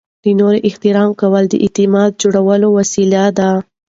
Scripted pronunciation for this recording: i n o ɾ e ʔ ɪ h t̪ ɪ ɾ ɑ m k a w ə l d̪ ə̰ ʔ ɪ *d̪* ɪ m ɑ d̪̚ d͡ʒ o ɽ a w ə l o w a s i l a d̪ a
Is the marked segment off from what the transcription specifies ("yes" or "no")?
yes